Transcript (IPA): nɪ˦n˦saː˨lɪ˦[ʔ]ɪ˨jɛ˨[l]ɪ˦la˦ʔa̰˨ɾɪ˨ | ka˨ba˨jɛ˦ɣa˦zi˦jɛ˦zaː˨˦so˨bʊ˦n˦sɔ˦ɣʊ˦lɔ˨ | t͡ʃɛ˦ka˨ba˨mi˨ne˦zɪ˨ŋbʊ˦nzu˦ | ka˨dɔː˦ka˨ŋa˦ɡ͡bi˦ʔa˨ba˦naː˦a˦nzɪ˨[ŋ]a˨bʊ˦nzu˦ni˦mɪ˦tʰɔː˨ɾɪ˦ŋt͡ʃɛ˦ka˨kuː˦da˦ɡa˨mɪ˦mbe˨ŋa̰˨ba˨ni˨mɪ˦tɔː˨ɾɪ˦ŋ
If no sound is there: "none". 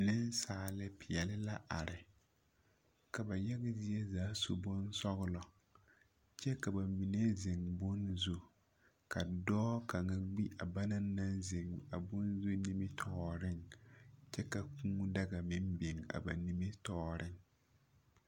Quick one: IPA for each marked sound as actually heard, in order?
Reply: p, l, ŋ

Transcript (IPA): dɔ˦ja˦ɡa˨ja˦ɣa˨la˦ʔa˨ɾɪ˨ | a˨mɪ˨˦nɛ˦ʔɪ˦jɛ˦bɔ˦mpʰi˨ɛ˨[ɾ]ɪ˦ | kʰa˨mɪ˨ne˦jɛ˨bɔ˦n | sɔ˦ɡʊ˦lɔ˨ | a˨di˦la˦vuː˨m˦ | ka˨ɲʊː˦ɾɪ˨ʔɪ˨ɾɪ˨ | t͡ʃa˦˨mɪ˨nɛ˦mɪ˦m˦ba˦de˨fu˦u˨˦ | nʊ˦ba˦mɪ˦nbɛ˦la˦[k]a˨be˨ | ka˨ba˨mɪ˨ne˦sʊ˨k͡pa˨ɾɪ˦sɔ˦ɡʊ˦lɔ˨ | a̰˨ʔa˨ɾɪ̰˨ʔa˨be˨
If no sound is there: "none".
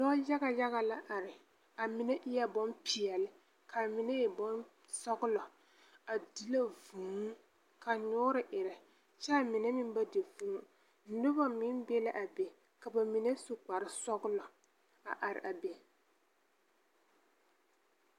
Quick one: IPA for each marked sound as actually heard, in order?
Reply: l, ʔ

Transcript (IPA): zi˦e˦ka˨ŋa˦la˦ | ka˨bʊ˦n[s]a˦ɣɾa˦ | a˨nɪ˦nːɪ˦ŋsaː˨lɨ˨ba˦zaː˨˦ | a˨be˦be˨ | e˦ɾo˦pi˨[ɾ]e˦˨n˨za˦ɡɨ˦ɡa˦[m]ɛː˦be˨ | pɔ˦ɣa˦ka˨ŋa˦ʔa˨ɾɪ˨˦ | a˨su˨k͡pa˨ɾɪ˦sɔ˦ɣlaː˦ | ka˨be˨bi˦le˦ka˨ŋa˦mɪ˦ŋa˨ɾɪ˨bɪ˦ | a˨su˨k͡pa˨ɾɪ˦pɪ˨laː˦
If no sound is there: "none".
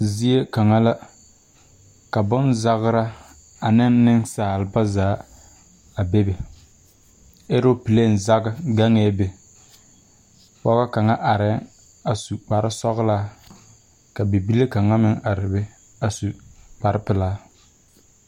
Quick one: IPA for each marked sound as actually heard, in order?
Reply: z, l, ŋ

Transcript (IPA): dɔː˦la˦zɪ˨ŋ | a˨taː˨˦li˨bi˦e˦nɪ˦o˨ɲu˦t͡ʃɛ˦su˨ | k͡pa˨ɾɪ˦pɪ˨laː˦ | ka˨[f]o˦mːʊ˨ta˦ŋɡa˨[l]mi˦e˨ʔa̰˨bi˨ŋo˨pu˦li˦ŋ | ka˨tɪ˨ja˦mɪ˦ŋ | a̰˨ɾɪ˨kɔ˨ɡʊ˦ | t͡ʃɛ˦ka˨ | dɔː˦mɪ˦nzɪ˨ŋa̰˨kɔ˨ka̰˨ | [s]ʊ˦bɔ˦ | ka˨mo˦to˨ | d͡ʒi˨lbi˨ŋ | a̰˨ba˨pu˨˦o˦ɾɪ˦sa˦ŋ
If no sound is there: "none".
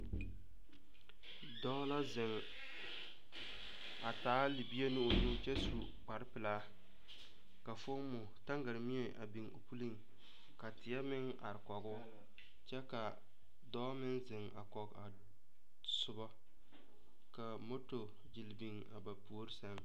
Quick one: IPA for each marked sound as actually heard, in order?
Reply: f, ɾ, s

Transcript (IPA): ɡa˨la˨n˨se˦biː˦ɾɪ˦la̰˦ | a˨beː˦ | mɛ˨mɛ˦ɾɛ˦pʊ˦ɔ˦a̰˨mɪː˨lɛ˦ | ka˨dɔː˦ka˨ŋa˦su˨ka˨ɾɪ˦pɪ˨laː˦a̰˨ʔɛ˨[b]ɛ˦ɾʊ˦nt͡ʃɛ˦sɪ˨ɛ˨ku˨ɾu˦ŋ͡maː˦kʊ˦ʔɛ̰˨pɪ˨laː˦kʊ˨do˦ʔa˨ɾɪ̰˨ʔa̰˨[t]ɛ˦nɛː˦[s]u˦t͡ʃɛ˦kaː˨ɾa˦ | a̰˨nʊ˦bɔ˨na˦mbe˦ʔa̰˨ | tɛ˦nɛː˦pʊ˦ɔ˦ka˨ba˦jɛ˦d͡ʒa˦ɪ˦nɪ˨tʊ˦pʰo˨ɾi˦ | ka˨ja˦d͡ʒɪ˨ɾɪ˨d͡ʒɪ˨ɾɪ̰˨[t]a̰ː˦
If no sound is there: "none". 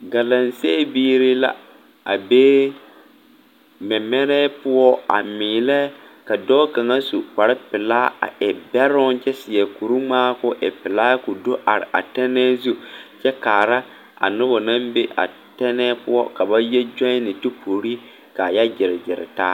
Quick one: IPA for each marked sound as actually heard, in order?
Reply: b, t, z, t

